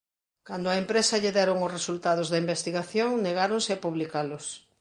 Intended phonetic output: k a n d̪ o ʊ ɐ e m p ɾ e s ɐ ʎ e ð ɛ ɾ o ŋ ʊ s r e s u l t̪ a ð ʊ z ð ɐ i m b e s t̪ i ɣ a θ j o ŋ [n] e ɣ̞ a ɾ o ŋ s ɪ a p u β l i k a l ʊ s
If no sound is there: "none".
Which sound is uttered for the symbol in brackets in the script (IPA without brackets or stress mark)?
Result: n